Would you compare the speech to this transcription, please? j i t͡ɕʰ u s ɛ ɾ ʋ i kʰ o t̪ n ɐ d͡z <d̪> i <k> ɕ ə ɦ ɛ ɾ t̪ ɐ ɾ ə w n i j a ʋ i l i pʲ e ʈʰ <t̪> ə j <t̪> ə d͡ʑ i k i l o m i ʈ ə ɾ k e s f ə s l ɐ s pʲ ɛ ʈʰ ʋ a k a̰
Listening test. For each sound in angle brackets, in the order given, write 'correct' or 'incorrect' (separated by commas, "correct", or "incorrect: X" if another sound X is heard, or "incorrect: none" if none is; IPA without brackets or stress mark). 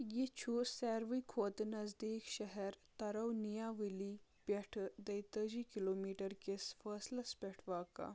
correct, correct, incorrect: d̪, correct